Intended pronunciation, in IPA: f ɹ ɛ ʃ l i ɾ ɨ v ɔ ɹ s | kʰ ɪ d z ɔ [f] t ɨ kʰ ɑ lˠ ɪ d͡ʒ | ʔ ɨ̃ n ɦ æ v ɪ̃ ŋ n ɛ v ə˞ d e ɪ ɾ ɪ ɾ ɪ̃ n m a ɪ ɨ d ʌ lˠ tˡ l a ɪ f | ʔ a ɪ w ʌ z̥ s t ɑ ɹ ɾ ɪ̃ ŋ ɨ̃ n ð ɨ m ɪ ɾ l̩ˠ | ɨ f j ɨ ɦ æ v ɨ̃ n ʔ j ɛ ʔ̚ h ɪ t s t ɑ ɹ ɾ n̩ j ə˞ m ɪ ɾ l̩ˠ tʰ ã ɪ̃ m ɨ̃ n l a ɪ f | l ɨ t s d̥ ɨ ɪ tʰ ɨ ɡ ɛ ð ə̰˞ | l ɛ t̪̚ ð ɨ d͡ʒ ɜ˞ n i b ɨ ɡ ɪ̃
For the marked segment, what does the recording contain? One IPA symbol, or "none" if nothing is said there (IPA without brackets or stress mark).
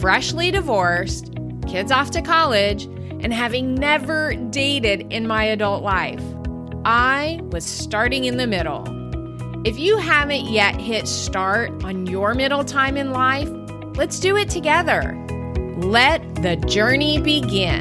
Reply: f